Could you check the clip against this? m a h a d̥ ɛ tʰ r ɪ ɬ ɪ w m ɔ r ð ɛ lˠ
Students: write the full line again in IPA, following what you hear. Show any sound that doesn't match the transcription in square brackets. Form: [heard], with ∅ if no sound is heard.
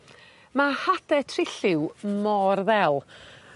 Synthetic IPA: m a h a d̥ ɛ tʰ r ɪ ɬ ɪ w m ɔ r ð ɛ lˠ